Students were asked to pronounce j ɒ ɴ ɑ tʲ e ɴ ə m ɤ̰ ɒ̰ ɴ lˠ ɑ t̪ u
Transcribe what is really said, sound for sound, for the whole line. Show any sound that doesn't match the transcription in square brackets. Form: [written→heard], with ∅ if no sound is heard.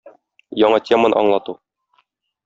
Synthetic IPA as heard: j ɒ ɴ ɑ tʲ e [ɴ→m] ə [m→n] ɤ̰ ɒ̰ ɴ lˠ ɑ t̪ u